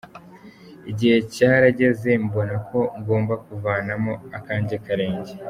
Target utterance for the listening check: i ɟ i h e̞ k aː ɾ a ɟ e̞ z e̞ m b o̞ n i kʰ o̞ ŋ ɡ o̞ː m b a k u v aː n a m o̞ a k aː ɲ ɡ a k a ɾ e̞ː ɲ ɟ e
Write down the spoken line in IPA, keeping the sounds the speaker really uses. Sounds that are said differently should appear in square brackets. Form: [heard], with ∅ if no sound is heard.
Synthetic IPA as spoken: i ɟ i h e̞ [c] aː ɾ a ɟ e̞ z e̞ m b o̞ n [a] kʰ o̞ ŋ ɡ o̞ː m b a k u v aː n a m o̞ a k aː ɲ [ɟ] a k a ɾ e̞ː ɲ ɟ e